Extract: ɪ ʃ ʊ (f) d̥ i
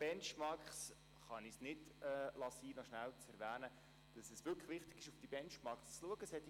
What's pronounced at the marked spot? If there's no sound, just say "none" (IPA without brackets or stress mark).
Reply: f